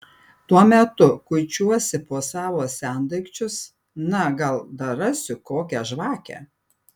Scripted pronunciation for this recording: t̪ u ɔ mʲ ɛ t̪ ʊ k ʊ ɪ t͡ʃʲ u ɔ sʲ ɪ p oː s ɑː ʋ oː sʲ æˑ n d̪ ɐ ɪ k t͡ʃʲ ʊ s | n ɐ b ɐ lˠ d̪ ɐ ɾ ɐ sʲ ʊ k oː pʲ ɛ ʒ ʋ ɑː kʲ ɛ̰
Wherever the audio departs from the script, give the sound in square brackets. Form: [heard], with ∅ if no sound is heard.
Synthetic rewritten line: t̪ u ɔ mʲ ɛ t̪ ʊ k ʊ ɪ t͡ʃʲ u ɔ sʲ ɪ p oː s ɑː ʋ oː sʲ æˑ n d̪ ɐ ɪ k t͡ʃʲ ʊ s | n ɐ [ɡ] ɐ lˠ d̪ ɐ ɾ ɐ sʲ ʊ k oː [kʲ] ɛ ʒ ʋ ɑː kʲ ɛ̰